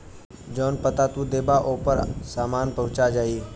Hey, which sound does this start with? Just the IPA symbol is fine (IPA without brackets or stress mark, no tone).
d͡ʒ